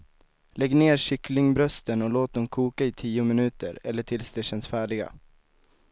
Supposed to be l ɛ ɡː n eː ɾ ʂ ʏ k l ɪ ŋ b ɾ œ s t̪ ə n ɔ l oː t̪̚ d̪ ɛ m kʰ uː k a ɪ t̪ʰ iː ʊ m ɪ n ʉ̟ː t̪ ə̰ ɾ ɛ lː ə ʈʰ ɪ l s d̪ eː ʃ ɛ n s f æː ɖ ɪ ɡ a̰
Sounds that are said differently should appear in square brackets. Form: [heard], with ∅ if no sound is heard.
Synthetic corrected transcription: l ɛ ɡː n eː ɾ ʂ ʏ k l ɪ ŋ b ɾ œ s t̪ ə n ɔ l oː t̪̚ d̪ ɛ m kʰ uː k a ɪ t̪ʰ iː ʊ m ɪ n ʉ̟ː t̪ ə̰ ɾ ɛ lː ə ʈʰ ɪ l s d̪ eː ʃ ɛ n s f æː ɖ ɪ ɡ a̰